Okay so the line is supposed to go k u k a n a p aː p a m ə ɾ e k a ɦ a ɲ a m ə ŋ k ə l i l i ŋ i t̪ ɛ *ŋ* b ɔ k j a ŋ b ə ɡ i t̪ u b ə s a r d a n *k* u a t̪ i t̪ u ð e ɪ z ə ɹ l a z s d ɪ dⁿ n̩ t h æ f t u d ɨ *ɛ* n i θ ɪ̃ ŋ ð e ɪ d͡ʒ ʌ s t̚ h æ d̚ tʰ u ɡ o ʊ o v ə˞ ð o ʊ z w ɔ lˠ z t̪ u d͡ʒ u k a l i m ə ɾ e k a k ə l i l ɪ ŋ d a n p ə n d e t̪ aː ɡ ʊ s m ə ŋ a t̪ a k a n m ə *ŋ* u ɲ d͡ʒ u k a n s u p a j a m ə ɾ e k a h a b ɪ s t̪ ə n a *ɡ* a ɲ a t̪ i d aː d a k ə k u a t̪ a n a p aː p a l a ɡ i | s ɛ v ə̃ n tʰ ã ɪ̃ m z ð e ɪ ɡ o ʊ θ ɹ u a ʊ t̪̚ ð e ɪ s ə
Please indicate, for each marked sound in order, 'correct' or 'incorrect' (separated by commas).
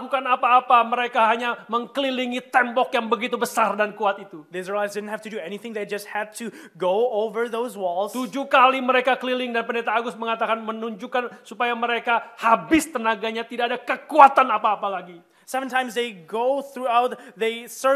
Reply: incorrect, correct, correct, incorrect, correct